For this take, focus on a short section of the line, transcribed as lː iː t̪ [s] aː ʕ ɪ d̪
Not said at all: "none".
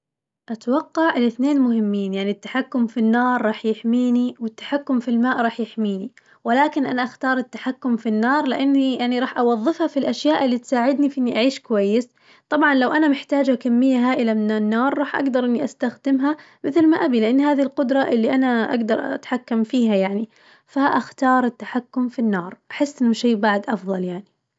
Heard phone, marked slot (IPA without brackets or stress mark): s